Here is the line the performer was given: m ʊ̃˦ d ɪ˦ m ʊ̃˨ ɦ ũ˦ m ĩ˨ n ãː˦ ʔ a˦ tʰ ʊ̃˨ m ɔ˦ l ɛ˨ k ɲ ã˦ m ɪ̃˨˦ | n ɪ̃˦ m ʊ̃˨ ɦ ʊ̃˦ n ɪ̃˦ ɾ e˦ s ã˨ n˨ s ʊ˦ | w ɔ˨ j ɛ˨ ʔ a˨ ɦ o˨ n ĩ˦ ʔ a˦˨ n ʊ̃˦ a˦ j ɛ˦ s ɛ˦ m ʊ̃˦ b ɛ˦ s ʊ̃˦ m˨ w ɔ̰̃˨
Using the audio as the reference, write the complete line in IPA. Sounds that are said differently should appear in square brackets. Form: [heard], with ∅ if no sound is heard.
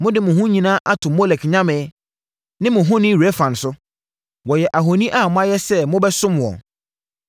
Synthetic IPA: m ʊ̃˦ d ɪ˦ m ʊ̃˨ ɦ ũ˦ [ɲ] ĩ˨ n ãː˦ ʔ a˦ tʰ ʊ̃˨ m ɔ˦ l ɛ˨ k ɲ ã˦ m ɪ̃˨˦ | n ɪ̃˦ m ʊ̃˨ ɦ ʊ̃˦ n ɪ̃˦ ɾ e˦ [f] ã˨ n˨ s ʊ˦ | w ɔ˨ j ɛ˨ ʔ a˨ ɦ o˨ n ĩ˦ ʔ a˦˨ [m] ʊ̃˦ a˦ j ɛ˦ s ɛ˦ m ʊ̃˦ b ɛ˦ s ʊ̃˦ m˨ w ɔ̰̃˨